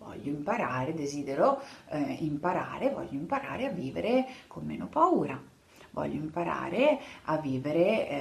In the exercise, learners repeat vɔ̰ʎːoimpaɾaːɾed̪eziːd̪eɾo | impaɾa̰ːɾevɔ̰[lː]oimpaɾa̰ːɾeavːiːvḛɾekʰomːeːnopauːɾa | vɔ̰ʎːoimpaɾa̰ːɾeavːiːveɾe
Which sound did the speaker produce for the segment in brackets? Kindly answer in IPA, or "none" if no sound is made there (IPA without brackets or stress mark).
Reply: ʎː